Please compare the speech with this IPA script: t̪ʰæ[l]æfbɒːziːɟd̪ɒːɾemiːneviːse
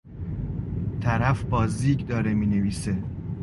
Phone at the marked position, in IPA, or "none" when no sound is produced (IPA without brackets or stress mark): ɾ